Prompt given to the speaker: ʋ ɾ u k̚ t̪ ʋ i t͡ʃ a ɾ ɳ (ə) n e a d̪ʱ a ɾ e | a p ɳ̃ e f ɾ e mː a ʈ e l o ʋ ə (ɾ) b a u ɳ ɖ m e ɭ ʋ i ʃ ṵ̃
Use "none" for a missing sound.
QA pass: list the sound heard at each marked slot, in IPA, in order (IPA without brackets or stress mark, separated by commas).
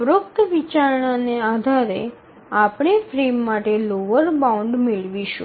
a, ɾ